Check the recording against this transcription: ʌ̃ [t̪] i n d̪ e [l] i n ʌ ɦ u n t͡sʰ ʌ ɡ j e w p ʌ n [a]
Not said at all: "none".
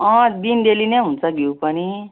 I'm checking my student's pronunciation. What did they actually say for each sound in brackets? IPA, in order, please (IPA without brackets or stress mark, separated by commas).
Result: d̪, l, i